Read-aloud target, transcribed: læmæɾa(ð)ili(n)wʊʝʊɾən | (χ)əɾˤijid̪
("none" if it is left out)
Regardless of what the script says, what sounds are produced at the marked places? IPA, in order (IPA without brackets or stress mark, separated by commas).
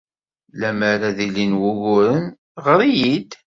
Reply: ð, n, ʁ